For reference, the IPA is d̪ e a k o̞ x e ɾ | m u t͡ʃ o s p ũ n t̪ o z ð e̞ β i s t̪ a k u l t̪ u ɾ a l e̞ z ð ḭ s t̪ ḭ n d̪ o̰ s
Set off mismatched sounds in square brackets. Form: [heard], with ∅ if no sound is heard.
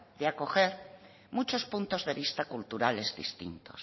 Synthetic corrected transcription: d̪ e a k o̞ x e ɾ | m u t͡ʃ o s p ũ n t̪ o z ð e̞ β i s t̪ a k u l t̪ u ɾ a l e̞ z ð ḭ s t̪ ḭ n [t̪] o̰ s